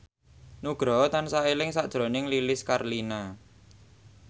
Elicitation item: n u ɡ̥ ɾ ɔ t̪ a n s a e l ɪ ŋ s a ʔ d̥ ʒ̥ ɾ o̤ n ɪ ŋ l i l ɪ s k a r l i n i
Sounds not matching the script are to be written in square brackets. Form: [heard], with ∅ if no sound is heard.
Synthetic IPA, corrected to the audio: n u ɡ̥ ɾ ɔ t̪ a n s a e l ɪ ŋ s a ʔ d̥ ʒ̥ ɾ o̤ n ɪ ŋ l i l ɪ s k a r l i n [a]